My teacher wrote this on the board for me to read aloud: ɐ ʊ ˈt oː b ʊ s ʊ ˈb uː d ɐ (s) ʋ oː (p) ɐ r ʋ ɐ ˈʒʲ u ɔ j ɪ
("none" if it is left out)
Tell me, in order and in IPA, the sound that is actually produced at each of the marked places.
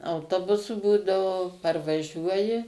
none, p

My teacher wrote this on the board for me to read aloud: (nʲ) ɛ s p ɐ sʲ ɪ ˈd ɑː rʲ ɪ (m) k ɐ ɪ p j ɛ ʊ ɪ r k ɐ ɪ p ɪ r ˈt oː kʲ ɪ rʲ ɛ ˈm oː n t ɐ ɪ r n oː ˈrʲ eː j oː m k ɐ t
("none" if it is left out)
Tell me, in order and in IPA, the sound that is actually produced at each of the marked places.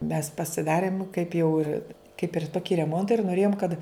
mʲ, m

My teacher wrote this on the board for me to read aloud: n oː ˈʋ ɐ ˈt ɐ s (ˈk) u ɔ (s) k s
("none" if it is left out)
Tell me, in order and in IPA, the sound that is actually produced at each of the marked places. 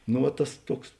t, none

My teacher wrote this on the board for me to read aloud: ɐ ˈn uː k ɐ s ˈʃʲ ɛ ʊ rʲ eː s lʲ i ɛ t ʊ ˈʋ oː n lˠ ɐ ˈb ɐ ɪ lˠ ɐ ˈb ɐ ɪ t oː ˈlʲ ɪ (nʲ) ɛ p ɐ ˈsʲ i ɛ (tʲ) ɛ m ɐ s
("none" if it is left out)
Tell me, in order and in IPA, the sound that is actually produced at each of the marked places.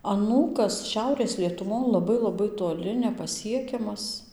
nʲ, kʲ

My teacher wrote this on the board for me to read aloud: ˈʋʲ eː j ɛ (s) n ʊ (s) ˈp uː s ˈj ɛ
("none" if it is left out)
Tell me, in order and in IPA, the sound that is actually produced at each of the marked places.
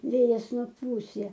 s, none

